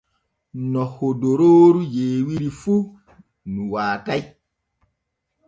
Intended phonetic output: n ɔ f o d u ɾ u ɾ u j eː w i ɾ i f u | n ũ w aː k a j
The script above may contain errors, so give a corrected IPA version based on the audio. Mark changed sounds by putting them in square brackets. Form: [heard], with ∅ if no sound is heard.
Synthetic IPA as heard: n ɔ [h] o d [o] ɾ [o] ɾ u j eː w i ɾ i f u | n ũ w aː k a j